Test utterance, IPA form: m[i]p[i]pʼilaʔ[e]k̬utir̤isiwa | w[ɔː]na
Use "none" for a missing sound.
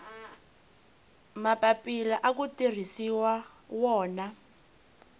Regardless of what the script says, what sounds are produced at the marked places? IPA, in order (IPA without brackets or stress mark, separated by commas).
a, a, a, ɔː